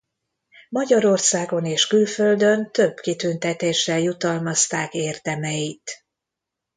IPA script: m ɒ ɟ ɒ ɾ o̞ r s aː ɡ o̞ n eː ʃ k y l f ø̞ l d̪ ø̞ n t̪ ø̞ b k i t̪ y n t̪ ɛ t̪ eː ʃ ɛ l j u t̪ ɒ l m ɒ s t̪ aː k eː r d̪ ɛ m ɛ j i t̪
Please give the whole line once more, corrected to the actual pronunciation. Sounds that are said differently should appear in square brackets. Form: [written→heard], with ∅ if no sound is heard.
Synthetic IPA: m ɒ ɟ ɒ ɾ o̞ r s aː ɡ o̞ n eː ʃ k y l f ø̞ l d̪ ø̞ n t̪ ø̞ b k i t̪ y n t̪ ɛ t̪ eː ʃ ɛ l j u t̪ ɒ l m ɒ s t̪ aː k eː r d̪ ɛ m ɛ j i t̪